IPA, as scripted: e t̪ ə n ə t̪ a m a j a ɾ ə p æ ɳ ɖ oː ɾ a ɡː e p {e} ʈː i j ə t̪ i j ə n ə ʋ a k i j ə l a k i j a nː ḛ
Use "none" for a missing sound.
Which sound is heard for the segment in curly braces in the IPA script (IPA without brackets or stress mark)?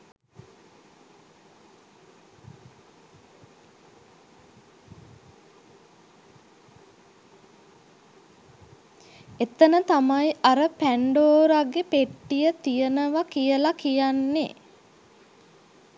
e